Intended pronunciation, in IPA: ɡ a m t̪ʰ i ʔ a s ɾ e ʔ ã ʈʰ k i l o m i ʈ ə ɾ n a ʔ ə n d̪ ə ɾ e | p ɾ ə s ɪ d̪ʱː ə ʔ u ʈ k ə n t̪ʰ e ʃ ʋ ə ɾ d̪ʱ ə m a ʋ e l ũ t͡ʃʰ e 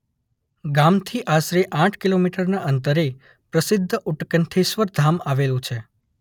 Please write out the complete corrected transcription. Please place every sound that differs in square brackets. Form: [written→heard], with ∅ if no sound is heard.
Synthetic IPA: ɡ a m t̪ʰ i ʔ a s ɾ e ʔ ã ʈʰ k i l o m i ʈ ə ɾ n a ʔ ə n [d̪→t̪] ə ɾ e | p ɾ ə s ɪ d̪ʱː ə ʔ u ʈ k ə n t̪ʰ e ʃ ʋ ə ɾ d̪ʱ [ə→a] m a ʋ e l ũ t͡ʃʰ e